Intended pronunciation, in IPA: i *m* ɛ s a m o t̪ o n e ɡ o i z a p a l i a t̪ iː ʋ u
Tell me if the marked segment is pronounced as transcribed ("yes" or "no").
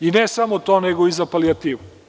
no